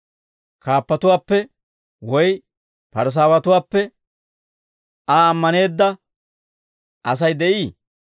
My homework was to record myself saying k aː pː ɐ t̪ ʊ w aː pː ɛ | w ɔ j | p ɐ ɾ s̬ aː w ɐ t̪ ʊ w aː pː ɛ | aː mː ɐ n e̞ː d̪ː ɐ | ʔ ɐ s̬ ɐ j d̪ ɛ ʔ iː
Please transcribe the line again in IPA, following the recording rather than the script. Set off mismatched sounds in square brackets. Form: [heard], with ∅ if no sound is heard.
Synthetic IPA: k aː pː ɐ t̪ ʊ w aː pː ɛ | w ɔ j | p ɐ ɾ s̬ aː w ɐ t̪ ʊ w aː pː ɛ | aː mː ɐ n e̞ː d̪ː ɐ | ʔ ɐ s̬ ɐ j d̪ ɛ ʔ iː